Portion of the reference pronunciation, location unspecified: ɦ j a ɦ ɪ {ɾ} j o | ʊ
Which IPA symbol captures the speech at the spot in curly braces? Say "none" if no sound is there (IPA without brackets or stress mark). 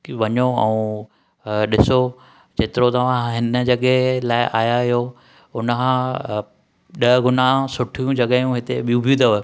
none